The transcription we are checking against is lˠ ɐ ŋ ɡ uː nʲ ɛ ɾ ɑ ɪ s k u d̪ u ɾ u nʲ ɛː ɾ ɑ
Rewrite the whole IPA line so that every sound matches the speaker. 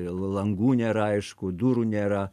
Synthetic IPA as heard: lˠ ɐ ŋ ɡ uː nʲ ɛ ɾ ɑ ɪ ʃ k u d̪ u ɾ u nʲ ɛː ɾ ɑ